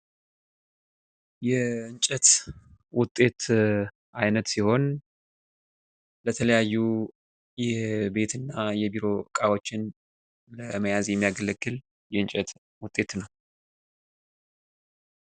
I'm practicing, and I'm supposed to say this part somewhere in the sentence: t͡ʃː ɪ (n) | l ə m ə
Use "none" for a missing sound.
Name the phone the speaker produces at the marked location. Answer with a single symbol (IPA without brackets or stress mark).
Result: n